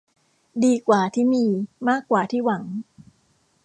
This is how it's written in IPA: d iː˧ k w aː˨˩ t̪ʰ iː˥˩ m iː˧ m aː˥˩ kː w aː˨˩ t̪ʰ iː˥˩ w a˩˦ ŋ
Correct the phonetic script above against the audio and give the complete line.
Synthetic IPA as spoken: d iː˧ k w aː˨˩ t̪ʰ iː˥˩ m iː˧ m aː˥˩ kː w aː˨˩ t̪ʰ iː˥˩ w a˩˦ ŋ